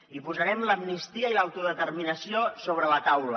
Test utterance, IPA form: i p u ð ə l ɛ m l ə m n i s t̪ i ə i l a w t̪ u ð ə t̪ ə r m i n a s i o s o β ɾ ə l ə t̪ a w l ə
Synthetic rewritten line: i p u z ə ɾ ɛ m l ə m n i s t̪ i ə i l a w t̪ u ð ə t̪ ə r m i n ə s i o s o β ɾ ə l ə t̪ a w l ə